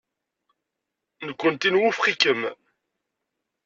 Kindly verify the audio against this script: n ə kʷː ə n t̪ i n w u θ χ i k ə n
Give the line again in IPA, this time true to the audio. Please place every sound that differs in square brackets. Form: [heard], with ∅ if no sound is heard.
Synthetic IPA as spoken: n ə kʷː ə n t̪ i n w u [f] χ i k ə [m]